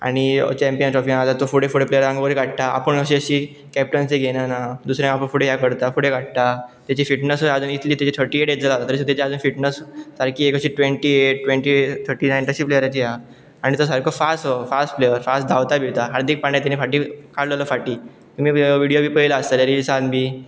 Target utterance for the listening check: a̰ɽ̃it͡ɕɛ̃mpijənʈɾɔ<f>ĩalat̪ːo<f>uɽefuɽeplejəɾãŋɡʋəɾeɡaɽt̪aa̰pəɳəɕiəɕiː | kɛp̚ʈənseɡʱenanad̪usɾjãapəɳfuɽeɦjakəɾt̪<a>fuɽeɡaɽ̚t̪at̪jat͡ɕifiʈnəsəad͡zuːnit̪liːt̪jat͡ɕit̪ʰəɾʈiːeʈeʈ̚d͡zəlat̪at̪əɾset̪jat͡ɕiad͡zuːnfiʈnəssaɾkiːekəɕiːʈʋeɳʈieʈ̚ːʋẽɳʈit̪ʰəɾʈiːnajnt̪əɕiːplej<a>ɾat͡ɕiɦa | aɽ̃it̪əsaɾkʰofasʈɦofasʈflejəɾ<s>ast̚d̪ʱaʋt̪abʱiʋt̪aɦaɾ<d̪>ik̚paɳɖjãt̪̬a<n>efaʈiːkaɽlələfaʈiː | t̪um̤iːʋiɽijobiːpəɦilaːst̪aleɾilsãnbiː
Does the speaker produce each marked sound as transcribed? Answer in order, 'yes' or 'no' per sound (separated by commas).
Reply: yes, yes, yes, no, no, yes, yes